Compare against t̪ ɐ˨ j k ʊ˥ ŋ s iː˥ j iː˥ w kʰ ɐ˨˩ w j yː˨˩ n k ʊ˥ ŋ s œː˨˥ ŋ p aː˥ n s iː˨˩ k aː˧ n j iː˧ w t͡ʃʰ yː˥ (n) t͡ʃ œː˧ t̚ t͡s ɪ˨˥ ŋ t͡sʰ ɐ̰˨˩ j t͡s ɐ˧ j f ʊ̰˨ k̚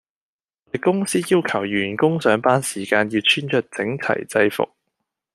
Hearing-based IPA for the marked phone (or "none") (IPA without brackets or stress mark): n